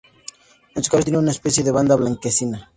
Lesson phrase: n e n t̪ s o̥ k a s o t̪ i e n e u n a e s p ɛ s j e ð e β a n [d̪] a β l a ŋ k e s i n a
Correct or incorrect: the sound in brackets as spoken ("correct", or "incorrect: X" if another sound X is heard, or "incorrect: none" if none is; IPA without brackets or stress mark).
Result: correct